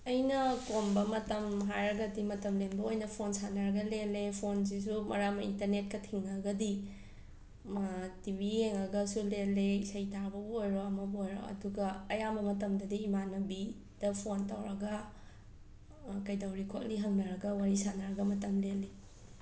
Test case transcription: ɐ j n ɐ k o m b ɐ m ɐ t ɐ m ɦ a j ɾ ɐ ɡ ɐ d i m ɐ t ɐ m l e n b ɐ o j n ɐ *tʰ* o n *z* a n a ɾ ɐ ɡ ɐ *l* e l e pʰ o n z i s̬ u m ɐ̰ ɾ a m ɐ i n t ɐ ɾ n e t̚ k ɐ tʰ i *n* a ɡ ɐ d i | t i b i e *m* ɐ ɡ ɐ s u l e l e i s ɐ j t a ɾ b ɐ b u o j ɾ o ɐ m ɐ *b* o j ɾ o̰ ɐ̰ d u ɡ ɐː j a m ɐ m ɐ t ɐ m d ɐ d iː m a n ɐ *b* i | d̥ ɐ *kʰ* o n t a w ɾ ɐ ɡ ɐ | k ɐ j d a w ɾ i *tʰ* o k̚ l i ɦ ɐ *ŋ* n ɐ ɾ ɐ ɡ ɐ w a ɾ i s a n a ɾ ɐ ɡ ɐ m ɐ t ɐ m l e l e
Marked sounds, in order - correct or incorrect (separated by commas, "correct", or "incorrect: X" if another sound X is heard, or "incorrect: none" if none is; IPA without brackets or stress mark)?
incorrect: pʰ, incorrect: s, correct, incorrect: ŋ, incorrect: ŋ, correct, correct, incorrect: pʰ, incorrect: kʰ, correct